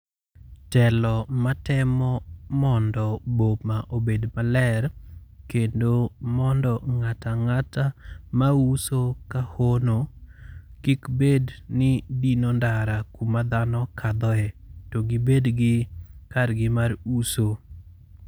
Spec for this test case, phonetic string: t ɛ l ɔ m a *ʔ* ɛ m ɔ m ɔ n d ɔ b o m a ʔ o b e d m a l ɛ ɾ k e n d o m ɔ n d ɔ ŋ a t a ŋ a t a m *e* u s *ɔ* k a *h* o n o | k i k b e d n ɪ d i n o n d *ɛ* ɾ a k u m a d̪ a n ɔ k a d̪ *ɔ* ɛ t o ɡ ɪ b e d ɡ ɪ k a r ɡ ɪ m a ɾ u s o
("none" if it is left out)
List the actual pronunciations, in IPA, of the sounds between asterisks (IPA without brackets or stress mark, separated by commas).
t, a, o, h, a, ɔ